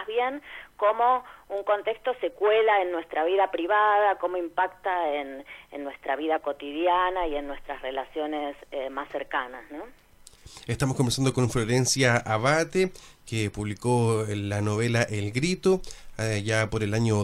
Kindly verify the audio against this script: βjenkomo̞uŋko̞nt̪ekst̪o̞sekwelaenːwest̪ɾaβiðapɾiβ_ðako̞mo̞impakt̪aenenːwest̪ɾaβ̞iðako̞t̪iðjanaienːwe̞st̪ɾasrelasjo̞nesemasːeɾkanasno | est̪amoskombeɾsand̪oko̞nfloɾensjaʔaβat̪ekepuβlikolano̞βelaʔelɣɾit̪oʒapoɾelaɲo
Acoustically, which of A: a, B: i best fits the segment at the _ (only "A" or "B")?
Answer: A